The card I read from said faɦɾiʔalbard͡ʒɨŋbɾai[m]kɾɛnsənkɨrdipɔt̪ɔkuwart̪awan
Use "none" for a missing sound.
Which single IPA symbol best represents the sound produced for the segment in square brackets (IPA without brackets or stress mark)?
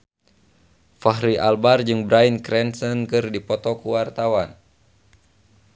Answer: n